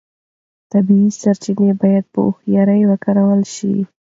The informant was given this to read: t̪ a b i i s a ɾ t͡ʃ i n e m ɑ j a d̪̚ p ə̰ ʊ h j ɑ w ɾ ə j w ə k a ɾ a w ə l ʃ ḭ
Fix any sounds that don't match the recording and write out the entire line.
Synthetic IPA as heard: t̪ a b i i s a ɾ t͡ʃ i n e b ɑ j a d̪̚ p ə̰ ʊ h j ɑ ɾ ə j w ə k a ɾ a w ə l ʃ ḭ